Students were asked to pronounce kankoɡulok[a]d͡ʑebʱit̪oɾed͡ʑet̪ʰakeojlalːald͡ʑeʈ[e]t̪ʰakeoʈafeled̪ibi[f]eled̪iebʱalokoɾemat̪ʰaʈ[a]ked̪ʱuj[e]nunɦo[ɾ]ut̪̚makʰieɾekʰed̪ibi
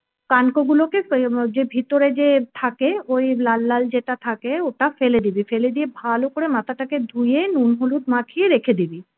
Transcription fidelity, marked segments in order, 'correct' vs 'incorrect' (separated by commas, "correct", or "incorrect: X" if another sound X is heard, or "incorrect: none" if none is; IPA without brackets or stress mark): incorrect: e, incorrect: a, correct, correct, correct, incorrect: l